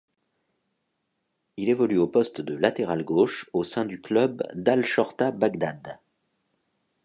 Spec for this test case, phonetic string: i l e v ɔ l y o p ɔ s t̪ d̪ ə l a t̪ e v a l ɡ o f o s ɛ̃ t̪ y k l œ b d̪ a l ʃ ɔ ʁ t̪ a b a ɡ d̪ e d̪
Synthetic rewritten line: i l e v ɔ l y o p ɔ s t̪ d̪ ə l a t̪ e ʁ a l ɡ o ʃ o s ɛ̃ d̪ y k l œ b d̪ a l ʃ ɔ ʁ t̪ a b a ɡ d̪ a d̪